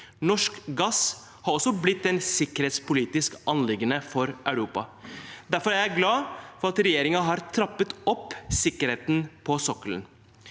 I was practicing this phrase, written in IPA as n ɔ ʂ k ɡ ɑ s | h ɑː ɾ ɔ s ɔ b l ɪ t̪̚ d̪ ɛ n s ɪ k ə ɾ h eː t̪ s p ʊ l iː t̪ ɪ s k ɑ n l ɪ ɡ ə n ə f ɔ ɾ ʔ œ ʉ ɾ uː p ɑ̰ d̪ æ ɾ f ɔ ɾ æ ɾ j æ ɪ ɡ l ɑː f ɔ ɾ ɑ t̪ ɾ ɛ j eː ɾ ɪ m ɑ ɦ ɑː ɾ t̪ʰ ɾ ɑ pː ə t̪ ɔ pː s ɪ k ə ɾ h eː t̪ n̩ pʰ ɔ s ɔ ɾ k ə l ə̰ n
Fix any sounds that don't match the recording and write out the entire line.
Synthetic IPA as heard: n ɔ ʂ k ɡ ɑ s | h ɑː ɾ ɔ s ɔ b l ɪ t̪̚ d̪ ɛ n s ɪ k ə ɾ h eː t̪ s p ʊ l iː t̪ ɪ s k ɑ n l ɪ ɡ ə n ə f ɔ ɾ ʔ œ ʉ ɾ uː p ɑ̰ d̪ æ ɾ f ɔ ɾ æ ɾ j æ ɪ ɡ l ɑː f ɔ ɾ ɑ t̪ ɾ ɛ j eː ɾ ɪ ŋ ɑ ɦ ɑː ɾ t̪ʰ ɾ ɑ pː ə t̪ ɔ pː s ɪ k ə ɾ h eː t̪ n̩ pʰ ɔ s ɔ k ə l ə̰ n